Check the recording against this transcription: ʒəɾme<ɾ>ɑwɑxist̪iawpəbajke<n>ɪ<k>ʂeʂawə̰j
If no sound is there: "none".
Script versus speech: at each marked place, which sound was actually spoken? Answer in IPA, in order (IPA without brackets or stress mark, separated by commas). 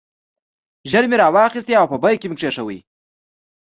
ɾ, m, k